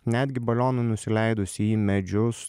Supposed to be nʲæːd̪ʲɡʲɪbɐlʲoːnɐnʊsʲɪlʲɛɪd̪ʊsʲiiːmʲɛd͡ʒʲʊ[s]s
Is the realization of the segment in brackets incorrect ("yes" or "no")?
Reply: no